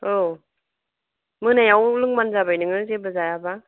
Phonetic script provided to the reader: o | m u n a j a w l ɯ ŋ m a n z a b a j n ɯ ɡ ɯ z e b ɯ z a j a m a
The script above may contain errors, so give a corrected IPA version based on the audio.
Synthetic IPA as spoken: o | m ɯ n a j a w l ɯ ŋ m a n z a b a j n ɯ ŋ ɯ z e b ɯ z a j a b a

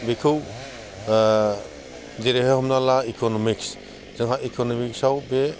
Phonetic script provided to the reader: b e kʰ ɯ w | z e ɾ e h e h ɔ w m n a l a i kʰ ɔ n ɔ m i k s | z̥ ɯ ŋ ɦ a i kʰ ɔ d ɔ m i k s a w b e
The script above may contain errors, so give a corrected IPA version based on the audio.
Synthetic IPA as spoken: b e kʰ ɯ w | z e ɾ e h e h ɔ m n a l a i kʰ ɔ n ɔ m i k s | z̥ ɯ ŋ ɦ a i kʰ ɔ n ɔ m i k s a w b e

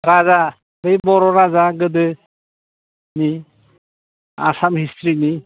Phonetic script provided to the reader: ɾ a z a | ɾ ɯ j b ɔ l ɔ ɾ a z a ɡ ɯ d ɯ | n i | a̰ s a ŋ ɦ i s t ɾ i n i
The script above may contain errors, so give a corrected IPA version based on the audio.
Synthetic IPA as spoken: ɾ a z a | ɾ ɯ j b ɔ ɾ ɔ ɾ a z a ɡ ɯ d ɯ | n i | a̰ s a m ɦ i s t ɾ i n i

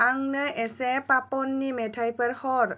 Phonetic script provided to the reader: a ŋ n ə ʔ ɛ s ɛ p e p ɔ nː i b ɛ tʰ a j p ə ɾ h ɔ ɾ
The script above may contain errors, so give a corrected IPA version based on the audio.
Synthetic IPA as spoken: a ŋ n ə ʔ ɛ s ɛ p a p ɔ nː i m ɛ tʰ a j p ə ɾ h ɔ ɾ

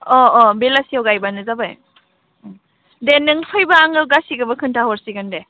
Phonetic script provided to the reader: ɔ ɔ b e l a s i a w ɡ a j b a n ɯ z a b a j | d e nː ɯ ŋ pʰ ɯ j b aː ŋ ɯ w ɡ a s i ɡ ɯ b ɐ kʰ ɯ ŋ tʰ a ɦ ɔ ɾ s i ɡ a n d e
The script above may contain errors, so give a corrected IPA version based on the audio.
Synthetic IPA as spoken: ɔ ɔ b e l a s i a w ɡ a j b a n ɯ z a b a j | d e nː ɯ ŋ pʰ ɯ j b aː ŋ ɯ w ɡ a s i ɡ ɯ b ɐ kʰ ɯ n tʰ a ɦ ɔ ɾ s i ɡ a n d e

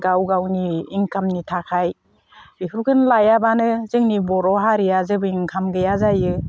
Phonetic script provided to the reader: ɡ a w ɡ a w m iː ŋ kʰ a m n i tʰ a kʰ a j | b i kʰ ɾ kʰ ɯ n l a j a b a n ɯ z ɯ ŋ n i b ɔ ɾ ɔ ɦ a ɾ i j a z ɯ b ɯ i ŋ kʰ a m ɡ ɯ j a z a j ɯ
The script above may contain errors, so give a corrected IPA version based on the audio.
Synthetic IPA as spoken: ɡ a w ɡ a w n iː ŋ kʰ a m n i tʰ a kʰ a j | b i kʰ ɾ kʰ ɯ n l a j a b a n ɯ z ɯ ŋ n i b ɔ ɾ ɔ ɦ a ɾ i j a z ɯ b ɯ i ŋ kʰ a m ɡ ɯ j a z a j ɯ

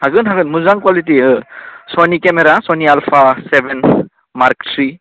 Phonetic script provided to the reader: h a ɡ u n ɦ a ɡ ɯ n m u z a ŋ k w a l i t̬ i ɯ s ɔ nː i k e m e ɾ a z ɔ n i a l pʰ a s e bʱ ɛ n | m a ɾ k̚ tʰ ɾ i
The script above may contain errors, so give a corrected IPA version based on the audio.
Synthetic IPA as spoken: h a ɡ ɯ n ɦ a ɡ ɯ n m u z a ŋ k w a l i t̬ i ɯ s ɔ n i k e m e ɾ a s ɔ n i a l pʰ a s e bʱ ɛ n | m a ɾ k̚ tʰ ɾ i

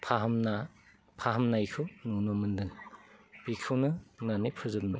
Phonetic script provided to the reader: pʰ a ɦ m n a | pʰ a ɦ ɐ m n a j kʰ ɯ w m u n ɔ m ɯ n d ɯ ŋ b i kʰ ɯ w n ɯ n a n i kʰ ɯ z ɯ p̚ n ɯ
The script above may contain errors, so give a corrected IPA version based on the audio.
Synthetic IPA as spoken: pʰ a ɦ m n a | pʰ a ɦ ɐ m n a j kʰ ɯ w n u n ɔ m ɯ n d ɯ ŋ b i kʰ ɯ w n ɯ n a n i pʰ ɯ z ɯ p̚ n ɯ

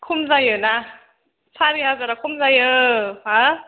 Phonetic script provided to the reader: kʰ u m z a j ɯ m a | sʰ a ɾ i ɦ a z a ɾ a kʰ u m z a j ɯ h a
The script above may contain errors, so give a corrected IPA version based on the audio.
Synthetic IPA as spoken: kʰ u m z a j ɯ n a | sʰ a ɾ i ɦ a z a ɾ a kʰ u m z a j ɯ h a

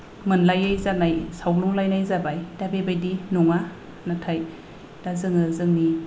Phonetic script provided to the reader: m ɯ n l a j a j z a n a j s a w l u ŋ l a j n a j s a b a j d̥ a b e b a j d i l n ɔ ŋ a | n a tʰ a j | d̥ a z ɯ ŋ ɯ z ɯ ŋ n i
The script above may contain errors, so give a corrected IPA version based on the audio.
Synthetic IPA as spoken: m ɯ n l a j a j z a n a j s a w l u ŋ l a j n a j z a b a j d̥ a b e b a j d i n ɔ ŋ a | n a tʰ a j | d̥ a z ɯ ŋ ɯ z ɯ ŋ n i

